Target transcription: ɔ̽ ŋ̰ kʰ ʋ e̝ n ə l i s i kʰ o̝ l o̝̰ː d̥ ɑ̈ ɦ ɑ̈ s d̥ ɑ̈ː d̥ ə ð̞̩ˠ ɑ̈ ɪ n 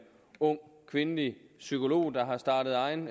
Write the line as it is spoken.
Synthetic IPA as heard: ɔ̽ ŋ̰ kʰ ʋ e̝ n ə l i s y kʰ o̝ l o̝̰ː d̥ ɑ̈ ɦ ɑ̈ s d̥ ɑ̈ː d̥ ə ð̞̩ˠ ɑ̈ ɪ n